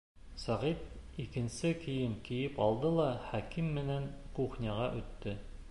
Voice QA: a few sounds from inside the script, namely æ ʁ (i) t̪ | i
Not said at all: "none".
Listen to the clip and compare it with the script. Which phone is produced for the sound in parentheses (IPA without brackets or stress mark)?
i